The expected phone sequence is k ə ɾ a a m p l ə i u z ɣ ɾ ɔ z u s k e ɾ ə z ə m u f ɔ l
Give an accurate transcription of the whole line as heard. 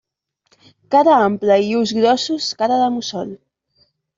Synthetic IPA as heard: k a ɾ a a m p l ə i u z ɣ ɾ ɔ s u s k a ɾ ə ð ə m u s ɔ l